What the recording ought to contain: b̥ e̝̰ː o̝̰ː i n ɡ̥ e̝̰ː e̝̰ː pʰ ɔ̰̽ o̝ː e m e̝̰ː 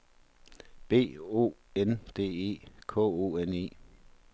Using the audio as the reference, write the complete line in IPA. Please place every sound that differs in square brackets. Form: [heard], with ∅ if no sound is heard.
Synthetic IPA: b̥ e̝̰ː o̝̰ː [e] n [d̥] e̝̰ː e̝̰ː [kʰ] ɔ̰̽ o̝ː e [n] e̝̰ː